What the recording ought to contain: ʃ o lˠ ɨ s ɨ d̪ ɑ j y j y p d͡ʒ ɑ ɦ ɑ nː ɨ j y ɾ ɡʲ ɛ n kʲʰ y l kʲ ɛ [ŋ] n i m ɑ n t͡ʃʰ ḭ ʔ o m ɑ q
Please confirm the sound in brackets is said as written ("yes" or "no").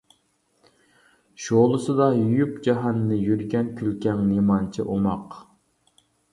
yes